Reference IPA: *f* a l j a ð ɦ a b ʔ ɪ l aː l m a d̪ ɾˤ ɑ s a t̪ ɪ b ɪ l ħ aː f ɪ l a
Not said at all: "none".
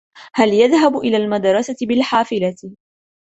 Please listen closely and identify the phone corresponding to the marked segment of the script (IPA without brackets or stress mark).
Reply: h